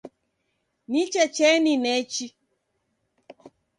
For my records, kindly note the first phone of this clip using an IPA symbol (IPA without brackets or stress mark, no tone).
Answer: n